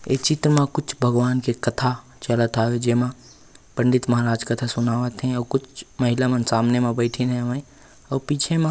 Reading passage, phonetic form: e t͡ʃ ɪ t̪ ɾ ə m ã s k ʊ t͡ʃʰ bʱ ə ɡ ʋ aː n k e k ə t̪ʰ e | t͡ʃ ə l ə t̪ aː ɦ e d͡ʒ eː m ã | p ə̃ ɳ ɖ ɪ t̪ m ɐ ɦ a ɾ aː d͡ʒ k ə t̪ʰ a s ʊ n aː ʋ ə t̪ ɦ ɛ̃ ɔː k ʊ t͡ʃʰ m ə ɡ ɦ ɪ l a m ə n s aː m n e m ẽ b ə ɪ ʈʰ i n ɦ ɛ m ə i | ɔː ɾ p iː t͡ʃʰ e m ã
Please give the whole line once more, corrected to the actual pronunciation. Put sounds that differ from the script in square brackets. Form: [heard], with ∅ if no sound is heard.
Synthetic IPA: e t͡ʃ ɪ t̪ ɾ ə m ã [∅] k ʊ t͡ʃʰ bʱ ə ɡ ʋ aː n k e k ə t̪ʰ [a] | t͡ʃ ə l ə t̪ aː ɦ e d͡ʒ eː m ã | p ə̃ ɳ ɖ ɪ t̪ m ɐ ɦ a ɾ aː d͡ʒ k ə t̪ʰ a s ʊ n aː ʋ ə t̪ ɦ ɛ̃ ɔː k ʊ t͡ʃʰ m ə [∅] ɦ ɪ l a m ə n s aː m n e m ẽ b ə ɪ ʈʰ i n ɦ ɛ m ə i | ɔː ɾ p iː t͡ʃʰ e m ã